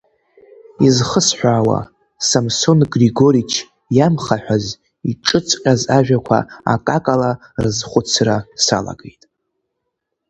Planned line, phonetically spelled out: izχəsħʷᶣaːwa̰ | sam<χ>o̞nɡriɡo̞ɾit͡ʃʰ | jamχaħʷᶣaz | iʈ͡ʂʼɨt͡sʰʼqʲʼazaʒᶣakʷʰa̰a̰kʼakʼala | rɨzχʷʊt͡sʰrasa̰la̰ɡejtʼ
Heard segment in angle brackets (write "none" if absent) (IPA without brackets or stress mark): s